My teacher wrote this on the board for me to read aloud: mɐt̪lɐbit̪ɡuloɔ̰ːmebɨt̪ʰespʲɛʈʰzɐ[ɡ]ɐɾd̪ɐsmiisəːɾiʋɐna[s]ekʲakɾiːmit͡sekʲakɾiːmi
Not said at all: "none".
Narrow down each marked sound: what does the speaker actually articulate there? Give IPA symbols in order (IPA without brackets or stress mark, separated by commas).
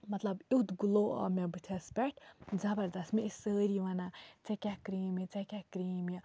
b, t͡s